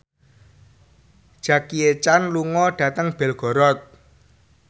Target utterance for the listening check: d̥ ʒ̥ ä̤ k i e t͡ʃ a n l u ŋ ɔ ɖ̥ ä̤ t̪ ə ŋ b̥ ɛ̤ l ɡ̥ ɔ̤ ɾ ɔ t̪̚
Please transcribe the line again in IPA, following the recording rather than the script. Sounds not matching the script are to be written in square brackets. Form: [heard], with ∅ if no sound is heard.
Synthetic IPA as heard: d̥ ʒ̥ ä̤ k i e t͡ʃ a n l u ŋ ɔ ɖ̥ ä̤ t̪ ə ŋ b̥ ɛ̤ l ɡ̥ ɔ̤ ɾ ɔ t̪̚

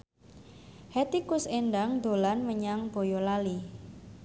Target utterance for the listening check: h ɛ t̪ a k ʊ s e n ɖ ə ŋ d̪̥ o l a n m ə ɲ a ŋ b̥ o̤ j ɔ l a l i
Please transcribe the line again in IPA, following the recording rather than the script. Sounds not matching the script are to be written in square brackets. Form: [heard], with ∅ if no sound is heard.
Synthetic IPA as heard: h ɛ t̪ [i] k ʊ s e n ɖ [a] ŋ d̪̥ o l a n m ə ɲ a ŋ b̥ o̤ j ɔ l a l i

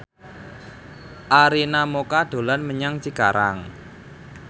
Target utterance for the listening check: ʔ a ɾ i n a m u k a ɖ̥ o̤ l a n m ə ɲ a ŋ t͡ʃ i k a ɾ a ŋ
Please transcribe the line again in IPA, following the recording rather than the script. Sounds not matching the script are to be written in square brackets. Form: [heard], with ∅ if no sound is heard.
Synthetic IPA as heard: ʔ a ɾ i n a m [o] k a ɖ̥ o̤ l a n m ə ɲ a ŋ t͡ʃ i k a ɾ a ŋ

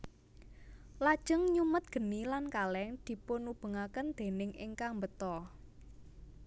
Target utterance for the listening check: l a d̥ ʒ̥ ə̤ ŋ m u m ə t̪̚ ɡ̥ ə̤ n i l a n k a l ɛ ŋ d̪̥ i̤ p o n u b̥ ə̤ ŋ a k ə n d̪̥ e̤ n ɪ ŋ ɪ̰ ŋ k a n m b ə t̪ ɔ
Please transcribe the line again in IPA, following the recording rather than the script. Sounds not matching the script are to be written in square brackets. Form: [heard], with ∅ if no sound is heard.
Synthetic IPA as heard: l a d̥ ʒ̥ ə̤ ŋ [ɲ] u m ə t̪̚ ɡ̥ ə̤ n i l a n k a l ɛ ŋ d̪̥ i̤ p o n u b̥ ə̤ ŋ a k ə n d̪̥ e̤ n ɪ ŋ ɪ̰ ŋ k a [ŋ] m b ə t̪ ɔ

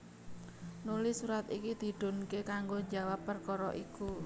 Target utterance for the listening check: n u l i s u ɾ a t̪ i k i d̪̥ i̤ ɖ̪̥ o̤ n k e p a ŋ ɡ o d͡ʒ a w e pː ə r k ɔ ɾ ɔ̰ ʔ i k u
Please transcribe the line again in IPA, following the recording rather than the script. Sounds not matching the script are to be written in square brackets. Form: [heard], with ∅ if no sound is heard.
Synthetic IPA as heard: n u l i s u ɾ a t̪ i k i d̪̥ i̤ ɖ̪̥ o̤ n k e [k] a ŋ ɡ o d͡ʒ a w [a] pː ə r k ɔ ɾ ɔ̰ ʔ i k u

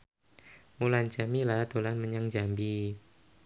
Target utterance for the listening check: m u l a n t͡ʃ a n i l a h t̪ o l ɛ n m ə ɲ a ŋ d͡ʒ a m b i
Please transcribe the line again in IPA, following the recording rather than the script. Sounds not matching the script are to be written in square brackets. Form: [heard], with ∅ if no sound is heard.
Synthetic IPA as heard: m u l a n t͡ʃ a [m] i l a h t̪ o l [a] n m ə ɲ a ŋ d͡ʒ a m b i

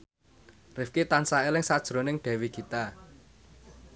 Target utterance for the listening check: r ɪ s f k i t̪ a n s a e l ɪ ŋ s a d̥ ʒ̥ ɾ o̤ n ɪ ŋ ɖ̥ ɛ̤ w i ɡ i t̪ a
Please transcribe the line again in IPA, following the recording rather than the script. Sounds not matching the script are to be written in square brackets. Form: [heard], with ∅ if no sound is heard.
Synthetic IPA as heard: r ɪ [∅] f k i t̪ a n s a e l ɪ ŋ s a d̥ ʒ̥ ɾ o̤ n ɪ ŋ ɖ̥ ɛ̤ w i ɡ i t̪ a

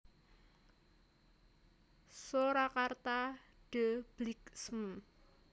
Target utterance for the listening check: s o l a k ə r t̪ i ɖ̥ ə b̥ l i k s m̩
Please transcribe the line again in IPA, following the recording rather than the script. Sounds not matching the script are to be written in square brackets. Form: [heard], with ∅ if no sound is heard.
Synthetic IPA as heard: s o [ɾ] a k [a] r t̪ [a] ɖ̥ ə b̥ l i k s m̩

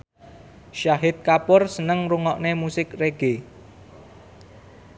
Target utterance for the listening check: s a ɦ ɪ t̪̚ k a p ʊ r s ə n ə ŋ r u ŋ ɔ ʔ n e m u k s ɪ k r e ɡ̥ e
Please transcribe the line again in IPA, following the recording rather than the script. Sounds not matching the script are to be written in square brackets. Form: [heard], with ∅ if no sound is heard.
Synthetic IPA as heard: [ʃ] a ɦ ɪ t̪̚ k a p ʊ r s ə n ə ŋ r u ŋ ɔ ʔ n e m u [∅] s ɪ k r e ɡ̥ e

